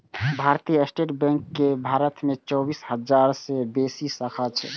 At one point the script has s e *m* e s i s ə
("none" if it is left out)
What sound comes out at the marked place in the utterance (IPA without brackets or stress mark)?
b